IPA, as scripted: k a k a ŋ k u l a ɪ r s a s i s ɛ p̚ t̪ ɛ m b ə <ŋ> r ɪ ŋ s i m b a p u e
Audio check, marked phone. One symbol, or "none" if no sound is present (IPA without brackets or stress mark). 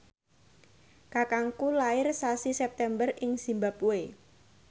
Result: none